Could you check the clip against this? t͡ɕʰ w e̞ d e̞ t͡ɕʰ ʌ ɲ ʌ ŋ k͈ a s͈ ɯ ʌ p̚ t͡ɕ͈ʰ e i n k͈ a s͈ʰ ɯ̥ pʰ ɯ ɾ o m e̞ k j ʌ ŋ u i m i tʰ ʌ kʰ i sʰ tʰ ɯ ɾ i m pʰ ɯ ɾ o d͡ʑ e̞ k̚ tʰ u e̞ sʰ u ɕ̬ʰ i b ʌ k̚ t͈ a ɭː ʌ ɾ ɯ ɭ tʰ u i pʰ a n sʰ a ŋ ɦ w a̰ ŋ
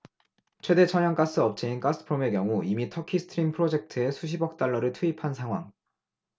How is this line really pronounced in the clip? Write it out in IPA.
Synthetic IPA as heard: t͡ɕʰ w e̞ d e̞ t͡ɕʰ ʌ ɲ ʌ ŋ k͈ a s͈ ɯ ʌ p̚ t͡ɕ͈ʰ e i n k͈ a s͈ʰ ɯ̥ pʰ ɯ ɾ o m e̞ k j ʌ ŋ u i m i tʰ ʌ kʰ i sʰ tʰ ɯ ɾ i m pʰ ɯ ɾ o d͡ʑ e̞ k̚ tʰ ɯ e̞ sʰ u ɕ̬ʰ i b ʌ k̚ t͈ a ɭː ʌ ɾ ɯ ɭ tʰ u i pʰ a n sʰ a ŋ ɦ w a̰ ŋ

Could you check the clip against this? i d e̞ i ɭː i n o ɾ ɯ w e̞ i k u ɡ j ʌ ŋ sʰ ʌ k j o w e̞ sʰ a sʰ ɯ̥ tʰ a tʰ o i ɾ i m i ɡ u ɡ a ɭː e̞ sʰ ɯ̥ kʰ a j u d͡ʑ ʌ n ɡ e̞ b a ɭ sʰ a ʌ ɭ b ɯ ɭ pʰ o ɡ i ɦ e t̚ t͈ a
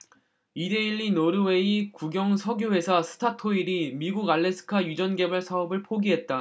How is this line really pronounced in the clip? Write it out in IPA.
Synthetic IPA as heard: i d e̞ i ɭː i n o ɾ ɯ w e̞ i k u ɡ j ʌ ŋ sʰ ʌ ɡ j o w e̞ sʰ a sʰ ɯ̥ tʰ a tʰ o i ɾ i m i ɡ u ɡ a ɭː e̞ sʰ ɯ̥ kʰ a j u d͡ʑ ʌ n ɡ e̞ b a ɭ sʰ a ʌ b ɯ ɭ pʰ o ɡ i ɦ e t̚ t͈ a

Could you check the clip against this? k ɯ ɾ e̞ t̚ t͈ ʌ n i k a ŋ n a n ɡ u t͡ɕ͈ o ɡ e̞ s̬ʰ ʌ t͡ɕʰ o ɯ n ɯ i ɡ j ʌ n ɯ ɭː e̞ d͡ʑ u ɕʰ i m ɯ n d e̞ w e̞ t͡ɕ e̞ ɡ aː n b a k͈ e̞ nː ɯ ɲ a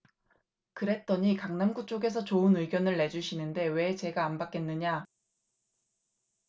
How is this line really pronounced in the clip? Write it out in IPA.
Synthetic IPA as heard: k ɯ ɾ e̞ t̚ t͈ ʌ ɲ i k a ŋ n a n ɡ u t͡ɕ͈ o ɡ e̞ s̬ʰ ʌ t͡ɕ o ɯ n ɯ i ɡ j ʌ n ɯ ɭː e̞ d͡ʑ u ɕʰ i n ɯ n d e̞ w e̞ t͡ɕ e̞ ɡ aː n b a k͈ e̞ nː ɯ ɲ a

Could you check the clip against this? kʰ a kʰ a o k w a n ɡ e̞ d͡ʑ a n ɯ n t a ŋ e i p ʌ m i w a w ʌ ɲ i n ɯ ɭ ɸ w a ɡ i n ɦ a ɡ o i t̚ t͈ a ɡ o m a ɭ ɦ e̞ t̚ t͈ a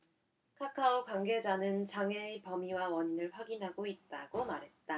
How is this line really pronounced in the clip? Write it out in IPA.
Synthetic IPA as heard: kʰ a kʰ a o k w a ŋ ɡ e̞ d͡ʑ a n ɯ n t͡ɕ a ŋ e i p ʌ m i w a w ʌ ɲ i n ɯ ɭ ɸ w a ɡ i n ɦ a ɡ o i t̚ t͈ a ɡ o m a ɾ ɦ e̞ t̚ t͈ a

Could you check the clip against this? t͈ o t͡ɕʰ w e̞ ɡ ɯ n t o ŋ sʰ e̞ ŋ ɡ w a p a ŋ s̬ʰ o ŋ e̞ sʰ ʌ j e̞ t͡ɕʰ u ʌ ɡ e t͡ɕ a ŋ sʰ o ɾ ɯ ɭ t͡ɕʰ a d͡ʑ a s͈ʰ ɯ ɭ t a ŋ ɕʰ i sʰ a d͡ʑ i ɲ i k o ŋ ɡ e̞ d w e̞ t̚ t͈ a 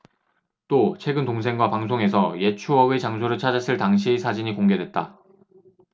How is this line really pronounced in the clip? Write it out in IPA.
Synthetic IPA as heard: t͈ o t͡ɕʰ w e̞ ɡ ɯ n t o ŋ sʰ e̞ ŋ ɡ w a p a ŋ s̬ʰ o ŋ e̞ sʰ ʌ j e̞ t͡ɕʰ u ʌ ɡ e t͡ɕ a ŋ sʰ o ɾ ɯ ɭ t͡ɕʰ a d͡ʑ a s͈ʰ ɯ ɭ t a ŋ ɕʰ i sʰ a d͡ʑ i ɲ i k o ŋ ɡ e̞ d w e̞ t̚ t͈ a

